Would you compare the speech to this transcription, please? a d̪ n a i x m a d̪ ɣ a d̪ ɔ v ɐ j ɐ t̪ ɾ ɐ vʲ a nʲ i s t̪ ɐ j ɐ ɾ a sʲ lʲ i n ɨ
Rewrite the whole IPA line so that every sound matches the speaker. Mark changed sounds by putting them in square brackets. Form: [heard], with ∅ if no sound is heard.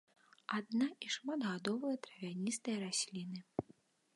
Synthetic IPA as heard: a d̪ n a i [ʂ] m a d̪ ɣ a d̪ ɔ v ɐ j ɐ t̪ ɾ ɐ vʲ a nʲ i s t̪ ɐ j ɐ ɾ a sʲ lʲ i n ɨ